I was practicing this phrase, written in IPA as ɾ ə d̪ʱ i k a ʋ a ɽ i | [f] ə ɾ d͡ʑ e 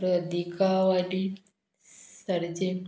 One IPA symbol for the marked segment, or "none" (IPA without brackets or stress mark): s